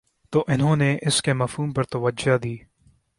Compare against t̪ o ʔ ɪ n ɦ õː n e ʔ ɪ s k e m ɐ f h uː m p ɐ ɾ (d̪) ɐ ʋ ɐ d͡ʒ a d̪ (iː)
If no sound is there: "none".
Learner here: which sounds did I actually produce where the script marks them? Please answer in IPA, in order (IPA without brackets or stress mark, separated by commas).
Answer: t̪, iː